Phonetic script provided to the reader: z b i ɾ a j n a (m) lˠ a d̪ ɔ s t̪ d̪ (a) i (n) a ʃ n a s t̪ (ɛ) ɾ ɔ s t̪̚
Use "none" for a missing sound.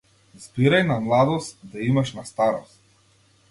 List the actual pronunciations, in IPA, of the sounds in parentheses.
m, a, m, a

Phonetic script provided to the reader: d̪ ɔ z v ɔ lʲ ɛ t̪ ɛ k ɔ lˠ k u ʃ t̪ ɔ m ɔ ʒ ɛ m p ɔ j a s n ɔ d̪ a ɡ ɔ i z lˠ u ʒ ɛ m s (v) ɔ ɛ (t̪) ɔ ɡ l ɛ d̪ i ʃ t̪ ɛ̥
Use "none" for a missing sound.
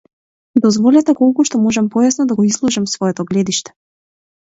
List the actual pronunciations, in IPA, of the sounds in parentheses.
v, t̪

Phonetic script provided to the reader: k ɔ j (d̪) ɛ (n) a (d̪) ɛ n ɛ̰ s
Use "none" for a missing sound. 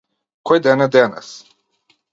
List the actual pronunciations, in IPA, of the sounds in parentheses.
d̪, n, d̪

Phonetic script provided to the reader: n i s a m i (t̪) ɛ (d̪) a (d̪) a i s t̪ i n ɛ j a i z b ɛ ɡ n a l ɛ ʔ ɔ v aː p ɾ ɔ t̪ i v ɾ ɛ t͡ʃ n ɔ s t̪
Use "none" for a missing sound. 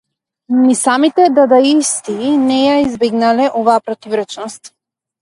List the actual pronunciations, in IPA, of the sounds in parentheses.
t̪, d̪, d̪

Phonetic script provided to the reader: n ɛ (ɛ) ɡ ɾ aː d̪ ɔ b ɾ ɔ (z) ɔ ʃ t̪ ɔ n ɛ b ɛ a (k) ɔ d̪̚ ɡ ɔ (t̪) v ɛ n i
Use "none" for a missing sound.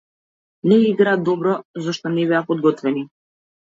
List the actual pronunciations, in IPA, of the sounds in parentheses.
i, z, p, t̪

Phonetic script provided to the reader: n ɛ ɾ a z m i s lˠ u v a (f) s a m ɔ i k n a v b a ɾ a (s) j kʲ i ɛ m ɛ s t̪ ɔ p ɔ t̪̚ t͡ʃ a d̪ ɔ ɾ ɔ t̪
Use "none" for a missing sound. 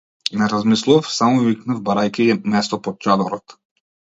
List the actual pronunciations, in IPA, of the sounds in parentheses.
f, none

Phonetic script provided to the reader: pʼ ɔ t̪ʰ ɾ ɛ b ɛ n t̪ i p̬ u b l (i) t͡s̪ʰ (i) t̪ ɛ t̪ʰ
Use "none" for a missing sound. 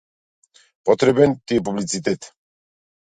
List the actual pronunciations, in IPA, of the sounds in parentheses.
i, i

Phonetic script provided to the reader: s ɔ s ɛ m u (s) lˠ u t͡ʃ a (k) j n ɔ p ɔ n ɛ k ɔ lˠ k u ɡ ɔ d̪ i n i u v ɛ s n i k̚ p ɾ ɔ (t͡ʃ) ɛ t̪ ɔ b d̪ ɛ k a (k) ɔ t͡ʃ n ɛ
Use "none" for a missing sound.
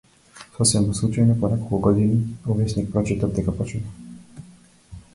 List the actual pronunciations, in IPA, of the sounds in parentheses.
s, none, t͡ʃ, p

